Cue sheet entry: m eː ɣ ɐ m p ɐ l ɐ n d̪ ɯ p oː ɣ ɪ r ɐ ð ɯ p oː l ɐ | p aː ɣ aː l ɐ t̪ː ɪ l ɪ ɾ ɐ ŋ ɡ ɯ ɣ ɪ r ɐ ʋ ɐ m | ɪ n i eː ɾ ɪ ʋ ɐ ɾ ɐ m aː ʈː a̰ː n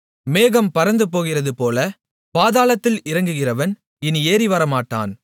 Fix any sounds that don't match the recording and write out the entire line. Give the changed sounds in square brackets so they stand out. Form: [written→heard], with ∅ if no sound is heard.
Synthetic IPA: m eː ɣ ɐ m p ɐ [l→ɾ] ɐ n d̪ ɯ p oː ɣ ɪ r ɐ ð ɯ p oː l ɐ | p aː [ɣ→ð] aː l ɐ t̪ː ɪ l ɪ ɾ ɐ ŋ ɡ ɯ ɣ ɪ r ɐ ʋ ɐ [m→n] | ɪ n i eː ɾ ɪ ʋ ɐ ɾ ɐ m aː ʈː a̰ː n